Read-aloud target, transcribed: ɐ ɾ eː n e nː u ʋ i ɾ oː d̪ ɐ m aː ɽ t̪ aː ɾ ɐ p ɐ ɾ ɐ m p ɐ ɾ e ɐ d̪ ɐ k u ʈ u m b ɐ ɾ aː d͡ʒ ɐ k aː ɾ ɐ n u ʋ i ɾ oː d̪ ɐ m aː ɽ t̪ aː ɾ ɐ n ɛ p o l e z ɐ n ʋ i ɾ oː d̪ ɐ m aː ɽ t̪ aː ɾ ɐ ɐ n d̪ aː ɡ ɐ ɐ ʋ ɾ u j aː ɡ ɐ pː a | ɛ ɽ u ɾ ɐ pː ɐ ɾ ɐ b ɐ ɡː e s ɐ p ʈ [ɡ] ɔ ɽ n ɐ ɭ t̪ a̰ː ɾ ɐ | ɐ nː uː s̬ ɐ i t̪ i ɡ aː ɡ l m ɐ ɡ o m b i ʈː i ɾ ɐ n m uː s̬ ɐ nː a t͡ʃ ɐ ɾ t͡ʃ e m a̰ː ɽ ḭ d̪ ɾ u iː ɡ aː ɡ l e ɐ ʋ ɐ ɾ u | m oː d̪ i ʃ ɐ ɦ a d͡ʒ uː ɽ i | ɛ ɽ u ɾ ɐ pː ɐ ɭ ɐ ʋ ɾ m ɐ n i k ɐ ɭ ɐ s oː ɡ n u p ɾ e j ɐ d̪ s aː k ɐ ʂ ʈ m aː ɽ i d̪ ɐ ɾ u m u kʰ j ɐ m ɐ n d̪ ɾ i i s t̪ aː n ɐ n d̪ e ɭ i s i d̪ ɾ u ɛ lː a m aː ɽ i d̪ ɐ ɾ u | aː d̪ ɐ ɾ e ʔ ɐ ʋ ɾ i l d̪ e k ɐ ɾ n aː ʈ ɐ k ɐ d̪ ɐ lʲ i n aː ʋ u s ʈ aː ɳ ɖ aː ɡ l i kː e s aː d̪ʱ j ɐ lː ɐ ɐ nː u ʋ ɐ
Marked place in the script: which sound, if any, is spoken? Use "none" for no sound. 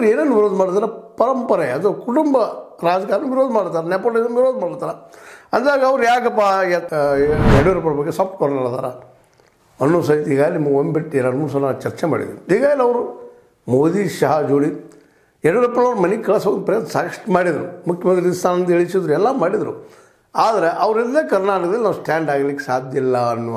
k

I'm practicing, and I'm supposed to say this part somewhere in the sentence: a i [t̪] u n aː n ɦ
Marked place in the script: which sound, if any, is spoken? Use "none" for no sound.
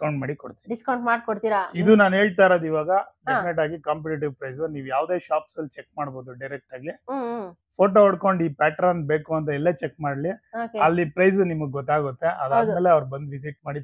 d̪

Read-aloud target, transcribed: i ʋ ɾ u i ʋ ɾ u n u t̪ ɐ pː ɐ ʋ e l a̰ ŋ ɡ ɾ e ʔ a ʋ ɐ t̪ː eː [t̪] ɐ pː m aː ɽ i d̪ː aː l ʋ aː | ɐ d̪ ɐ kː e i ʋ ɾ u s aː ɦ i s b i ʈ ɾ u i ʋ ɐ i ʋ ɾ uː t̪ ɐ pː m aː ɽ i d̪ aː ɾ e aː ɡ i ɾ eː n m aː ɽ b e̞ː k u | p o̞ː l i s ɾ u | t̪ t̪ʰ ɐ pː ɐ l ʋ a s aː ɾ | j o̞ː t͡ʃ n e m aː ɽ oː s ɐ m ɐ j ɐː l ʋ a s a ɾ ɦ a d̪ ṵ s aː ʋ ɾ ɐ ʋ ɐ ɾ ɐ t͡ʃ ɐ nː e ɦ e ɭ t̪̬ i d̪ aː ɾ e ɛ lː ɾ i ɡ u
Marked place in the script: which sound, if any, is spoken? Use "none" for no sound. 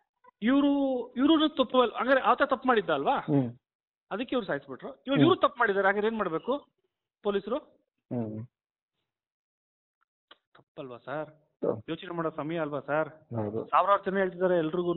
t̪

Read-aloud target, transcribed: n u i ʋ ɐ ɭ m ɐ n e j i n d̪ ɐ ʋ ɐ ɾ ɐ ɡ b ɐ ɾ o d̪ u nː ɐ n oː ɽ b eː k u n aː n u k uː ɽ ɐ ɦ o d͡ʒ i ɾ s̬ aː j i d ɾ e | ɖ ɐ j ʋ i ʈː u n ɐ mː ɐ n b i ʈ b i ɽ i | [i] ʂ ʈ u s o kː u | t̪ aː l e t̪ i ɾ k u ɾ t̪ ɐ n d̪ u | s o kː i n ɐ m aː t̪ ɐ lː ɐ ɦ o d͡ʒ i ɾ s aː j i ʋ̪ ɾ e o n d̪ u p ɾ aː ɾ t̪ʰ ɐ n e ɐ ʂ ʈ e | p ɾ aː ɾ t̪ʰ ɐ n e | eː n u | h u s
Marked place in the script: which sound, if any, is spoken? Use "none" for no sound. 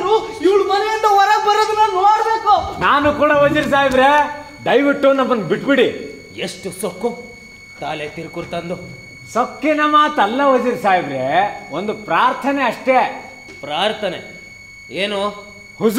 e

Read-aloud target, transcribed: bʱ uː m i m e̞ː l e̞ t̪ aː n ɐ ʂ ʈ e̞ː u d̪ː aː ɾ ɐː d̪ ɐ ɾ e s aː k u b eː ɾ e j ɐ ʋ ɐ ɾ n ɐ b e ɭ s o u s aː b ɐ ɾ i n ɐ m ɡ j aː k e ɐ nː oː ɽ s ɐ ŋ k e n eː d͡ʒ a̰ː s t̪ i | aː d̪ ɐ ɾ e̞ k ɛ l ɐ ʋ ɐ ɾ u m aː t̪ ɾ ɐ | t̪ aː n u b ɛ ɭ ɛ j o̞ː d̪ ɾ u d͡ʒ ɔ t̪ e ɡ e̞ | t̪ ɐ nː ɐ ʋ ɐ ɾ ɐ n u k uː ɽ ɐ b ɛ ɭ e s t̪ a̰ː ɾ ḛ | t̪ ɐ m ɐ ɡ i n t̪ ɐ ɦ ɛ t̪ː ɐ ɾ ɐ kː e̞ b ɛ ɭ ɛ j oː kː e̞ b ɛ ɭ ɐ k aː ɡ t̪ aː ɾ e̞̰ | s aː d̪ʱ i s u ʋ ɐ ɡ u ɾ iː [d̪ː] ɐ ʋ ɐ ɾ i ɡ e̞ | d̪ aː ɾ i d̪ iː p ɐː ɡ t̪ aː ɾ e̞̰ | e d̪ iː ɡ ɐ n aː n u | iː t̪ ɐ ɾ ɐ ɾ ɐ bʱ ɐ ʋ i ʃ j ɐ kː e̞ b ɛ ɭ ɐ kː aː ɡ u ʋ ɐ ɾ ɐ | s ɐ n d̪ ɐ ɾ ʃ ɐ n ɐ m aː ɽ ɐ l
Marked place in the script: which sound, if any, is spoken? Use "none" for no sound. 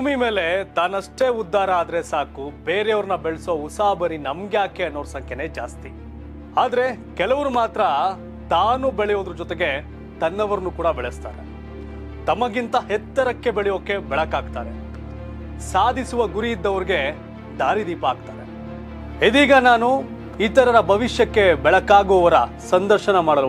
d̪ː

